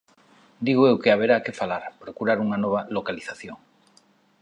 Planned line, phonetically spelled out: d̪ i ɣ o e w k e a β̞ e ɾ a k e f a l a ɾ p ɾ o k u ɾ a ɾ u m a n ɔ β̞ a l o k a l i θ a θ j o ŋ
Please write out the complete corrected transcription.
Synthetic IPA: d̪ i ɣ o e w k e a β̞ e ɾ a k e f a l a ɾ p ɾ o k u ɾ a ɾ u ŋ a n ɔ β̞ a l o k a l i θ a θ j o ŋ